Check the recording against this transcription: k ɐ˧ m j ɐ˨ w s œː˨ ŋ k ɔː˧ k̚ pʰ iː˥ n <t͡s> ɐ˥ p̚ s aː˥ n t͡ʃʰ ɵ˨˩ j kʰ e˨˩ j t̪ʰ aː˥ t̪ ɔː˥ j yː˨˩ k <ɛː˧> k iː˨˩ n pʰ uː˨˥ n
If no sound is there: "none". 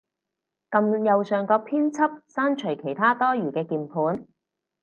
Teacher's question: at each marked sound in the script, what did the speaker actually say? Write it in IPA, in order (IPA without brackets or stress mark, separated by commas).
t͡sʰ, ɛː˧